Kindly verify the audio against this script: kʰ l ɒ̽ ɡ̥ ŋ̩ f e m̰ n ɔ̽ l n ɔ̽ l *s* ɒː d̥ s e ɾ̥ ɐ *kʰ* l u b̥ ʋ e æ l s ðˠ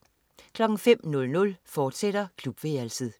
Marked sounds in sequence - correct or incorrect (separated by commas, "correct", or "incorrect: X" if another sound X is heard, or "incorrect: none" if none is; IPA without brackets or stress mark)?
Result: incorrect: f, correct